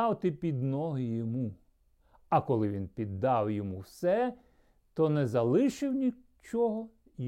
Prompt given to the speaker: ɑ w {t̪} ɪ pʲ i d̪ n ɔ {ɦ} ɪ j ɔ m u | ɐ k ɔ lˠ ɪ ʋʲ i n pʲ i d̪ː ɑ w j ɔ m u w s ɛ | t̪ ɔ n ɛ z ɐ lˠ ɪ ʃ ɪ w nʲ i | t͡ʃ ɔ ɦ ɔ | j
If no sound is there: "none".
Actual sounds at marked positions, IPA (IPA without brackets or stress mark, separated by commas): t̪, ɦ